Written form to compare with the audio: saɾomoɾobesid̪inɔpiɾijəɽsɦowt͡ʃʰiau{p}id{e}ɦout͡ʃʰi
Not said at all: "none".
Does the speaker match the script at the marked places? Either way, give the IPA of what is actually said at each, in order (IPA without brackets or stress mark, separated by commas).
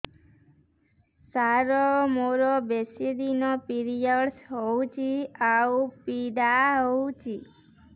p, a